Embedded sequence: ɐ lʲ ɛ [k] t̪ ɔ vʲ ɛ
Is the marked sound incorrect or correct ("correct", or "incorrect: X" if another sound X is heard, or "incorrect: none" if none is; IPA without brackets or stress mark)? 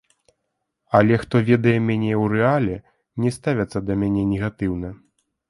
incorrect: x